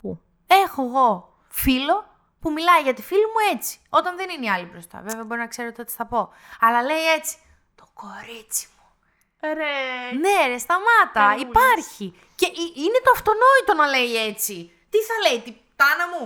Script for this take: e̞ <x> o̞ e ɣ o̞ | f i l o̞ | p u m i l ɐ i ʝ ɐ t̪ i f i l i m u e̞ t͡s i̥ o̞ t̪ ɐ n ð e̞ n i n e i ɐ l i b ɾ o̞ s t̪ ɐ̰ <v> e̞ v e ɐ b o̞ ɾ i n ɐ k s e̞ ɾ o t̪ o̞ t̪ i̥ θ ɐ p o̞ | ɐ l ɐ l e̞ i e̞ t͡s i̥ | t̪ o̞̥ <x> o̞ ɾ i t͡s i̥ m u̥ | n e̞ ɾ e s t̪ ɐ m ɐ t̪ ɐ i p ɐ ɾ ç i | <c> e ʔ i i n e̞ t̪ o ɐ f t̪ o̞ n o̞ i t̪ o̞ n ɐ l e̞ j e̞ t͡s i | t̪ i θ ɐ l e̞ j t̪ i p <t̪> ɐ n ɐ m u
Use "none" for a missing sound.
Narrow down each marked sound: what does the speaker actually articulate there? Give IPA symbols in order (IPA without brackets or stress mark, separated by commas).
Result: x, v, k, c, t̪